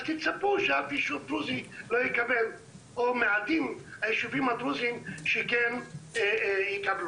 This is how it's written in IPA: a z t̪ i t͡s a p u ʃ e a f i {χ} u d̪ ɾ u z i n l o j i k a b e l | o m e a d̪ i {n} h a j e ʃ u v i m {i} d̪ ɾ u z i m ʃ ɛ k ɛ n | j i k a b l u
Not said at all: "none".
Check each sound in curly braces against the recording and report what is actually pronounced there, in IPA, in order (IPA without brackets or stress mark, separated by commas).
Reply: ʃ, m, a